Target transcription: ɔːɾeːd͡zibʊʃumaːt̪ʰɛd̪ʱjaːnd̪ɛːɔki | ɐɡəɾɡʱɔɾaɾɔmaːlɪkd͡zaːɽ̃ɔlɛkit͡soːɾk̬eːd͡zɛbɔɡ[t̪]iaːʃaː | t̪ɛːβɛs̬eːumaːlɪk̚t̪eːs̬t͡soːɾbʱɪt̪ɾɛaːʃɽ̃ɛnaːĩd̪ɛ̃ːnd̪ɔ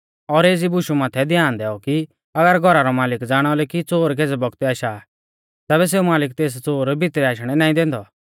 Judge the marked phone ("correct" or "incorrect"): correct